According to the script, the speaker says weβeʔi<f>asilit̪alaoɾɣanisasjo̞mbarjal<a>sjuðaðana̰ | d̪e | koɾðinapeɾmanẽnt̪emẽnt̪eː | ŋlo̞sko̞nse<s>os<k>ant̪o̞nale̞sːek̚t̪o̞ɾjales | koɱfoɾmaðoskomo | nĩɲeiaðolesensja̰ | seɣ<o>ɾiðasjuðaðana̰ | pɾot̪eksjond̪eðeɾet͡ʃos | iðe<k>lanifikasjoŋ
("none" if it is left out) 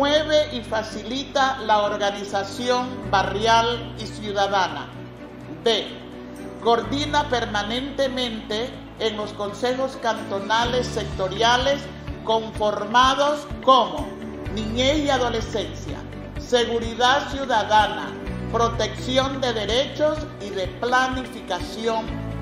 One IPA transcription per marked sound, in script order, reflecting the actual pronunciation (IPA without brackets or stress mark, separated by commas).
f, i, x, k, u, p